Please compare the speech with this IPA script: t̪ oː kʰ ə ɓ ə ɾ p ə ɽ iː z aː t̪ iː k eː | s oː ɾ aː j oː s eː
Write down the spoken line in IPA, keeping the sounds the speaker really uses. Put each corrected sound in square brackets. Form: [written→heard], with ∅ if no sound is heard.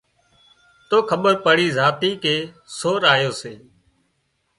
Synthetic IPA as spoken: t̪ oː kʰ ə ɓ ə ɾ p ə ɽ iː z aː t̪ iː k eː | s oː ɾ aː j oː s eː